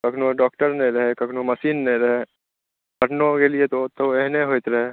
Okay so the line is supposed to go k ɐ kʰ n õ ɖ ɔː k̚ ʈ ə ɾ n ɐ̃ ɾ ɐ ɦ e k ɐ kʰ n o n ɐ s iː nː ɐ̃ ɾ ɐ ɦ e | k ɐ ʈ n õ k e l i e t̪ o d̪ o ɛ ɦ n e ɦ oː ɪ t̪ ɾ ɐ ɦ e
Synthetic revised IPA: k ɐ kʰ n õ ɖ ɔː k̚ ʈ ə ɾ n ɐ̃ ɾ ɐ ɦ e k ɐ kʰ n o m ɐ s iː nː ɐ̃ ɾ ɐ ɦ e | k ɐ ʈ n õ k e l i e t̪ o t̪ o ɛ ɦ n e ɦ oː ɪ t̪ ɾ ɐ ɦ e